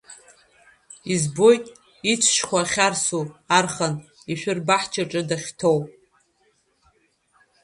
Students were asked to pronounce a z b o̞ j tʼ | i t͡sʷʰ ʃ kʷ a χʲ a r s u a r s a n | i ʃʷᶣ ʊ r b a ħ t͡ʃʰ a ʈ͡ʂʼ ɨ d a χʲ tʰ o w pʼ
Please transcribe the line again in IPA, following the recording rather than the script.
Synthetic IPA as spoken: i z b o̞ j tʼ | i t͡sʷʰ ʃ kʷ a χʲ a r s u a r χ a n | i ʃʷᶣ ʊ r b a ħ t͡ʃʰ a ʈ͡ʂʼ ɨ d a χʲ tʰ o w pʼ

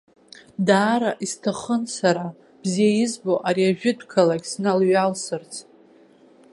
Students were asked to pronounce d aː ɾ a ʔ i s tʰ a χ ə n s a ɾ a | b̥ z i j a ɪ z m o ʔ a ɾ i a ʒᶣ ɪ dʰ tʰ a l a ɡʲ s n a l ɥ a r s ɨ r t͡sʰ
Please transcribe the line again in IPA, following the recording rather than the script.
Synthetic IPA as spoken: d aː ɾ a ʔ i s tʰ a χ ə n s a ɾ a | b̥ z i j a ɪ z b o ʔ a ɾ i a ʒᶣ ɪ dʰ kʰ a l a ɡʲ s n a l ɥ a l s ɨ r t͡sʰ

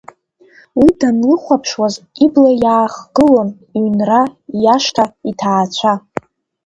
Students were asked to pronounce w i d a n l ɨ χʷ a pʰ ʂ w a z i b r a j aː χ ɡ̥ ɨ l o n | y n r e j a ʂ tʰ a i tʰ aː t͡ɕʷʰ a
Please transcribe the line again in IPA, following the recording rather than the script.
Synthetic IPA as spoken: w i d a n l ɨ χʷ a pʰ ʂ w a z i b l a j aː χ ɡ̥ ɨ l o n | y n r a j a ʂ tʰ a i tʰ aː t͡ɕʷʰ a

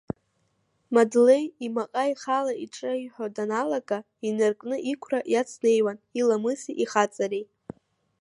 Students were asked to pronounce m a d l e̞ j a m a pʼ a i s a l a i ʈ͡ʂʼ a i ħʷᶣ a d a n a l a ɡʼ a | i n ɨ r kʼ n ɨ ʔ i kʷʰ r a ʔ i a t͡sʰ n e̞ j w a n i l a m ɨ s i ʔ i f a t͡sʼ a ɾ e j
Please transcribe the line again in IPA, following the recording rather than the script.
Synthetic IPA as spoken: m a d l e̞ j i m a qʼ a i χ a l a i ʈ͡ʂʼ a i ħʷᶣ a d a n a l a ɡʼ a | i n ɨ r kʼ n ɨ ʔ i kʷʰ r a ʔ j a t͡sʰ n e̞ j w a n i l a m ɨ s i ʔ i χ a t͡sʼ a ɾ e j

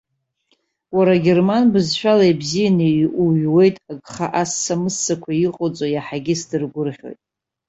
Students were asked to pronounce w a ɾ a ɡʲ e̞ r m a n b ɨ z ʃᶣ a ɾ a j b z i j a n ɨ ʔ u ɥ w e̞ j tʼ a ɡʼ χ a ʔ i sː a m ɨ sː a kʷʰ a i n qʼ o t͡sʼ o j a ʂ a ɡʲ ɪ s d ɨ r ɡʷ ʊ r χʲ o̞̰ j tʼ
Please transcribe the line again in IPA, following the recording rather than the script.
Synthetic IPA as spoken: w a ɾ a ɡʲ e̞ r m a n b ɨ z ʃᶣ a l a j b z i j a n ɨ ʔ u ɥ w e̞ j tʼ a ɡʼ χ a ʔ a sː a m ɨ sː a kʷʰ a i qʼ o t͡sʼ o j a ħ a ɡʲ ɪ s d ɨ r ɡʷ ʊ r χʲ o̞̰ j tʼ

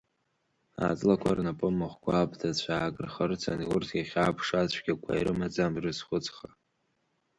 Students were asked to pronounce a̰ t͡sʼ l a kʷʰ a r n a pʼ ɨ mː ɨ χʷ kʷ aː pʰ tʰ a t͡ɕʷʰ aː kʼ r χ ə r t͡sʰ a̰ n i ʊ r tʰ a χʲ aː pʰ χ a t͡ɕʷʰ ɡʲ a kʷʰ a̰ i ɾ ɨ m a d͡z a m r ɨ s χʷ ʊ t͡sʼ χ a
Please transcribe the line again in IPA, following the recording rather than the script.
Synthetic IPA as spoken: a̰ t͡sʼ l a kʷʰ a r n a pʼ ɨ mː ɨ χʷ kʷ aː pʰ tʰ a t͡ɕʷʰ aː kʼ r χ ə r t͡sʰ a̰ n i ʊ r tʰ a χʲ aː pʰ ʂ a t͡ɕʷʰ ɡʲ a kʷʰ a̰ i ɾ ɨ m a d͡z a m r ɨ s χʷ ʊ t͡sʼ χ a

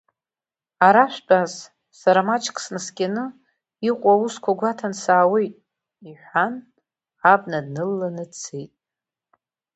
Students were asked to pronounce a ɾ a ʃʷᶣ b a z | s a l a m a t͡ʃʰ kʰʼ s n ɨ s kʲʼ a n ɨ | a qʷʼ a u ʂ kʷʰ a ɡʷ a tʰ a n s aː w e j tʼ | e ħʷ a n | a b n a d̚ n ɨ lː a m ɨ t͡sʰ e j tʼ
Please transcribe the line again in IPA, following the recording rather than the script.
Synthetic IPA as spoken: a ɾ a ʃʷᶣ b a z | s a ɾ a m a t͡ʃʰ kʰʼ s n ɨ s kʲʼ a n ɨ | i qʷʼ a u s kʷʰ a ɡʷ a tʰ a n s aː w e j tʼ | i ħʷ a n | a b n a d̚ n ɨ lː a n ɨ t͡sʰ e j tʼ

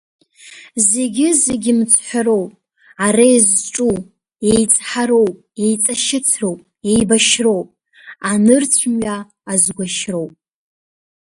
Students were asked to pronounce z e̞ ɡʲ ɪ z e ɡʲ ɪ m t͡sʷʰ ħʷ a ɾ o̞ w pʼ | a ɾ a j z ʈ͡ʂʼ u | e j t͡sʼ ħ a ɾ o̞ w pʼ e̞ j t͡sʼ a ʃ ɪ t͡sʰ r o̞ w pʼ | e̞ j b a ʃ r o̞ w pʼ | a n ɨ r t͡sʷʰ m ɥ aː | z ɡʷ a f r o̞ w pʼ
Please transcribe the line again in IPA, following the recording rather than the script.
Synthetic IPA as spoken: z e̞ ɡʲ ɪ z e ɡʲ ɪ m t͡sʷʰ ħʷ a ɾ o̞ w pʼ | a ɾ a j z ʈ͡ʂʼ u | e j t͡sʼ ħ a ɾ o̞ w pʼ e̞ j t͡sʼ a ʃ ɪ t͡sʰ r o̞ w pʼ | e̞ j b a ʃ r o̞ w pʼ | a n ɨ r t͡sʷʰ m ɥ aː | z ɡʷ a ʃ r o̞ w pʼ

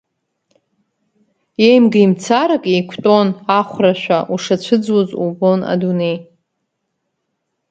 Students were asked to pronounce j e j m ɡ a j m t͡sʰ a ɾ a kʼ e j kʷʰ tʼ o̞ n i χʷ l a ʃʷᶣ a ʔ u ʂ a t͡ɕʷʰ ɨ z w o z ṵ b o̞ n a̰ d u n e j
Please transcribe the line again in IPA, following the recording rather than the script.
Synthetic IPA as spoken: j e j m ɡ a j m t͡sʰ a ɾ a kʼ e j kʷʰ tʼ o̞ n a χʷ r a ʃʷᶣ a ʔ u ʂ a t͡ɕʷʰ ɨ d͡z w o z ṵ b o̞ n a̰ d u n e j

